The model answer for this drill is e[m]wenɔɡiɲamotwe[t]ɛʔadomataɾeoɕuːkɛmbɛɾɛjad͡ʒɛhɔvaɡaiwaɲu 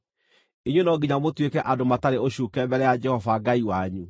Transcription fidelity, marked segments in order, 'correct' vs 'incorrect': incorrect: ɲ, incorrect: k

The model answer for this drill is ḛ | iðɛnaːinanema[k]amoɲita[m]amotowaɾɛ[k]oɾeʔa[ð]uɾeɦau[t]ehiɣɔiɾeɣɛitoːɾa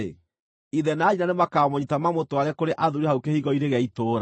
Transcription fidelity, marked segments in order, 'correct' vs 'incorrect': correct, correct, correct, correct, incorrect: k

